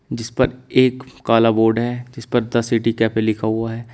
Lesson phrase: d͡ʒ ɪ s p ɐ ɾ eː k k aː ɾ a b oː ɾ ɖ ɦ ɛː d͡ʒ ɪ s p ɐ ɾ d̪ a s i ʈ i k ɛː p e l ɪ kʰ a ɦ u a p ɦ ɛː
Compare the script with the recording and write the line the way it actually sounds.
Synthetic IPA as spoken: d͡ʒ ɪ s p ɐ ɾ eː k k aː l a b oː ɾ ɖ ɦ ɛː d͡ʒ ɪ s p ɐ ɾ d̪ ɐ s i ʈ i k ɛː p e l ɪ kʰ a ɦ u a ɦ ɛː